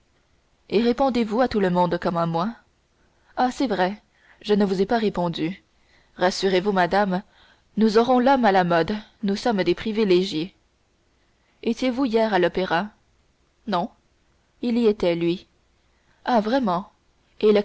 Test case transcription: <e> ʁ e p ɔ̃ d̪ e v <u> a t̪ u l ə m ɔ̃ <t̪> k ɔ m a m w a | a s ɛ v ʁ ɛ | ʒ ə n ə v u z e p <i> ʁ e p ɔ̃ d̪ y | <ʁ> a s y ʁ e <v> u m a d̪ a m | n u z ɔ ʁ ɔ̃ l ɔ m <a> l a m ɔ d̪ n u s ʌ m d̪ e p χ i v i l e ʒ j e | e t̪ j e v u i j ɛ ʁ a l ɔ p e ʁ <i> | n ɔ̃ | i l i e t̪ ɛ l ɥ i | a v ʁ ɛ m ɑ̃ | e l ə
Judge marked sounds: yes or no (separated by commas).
yes, yes, no, no, yes, yes, yes, no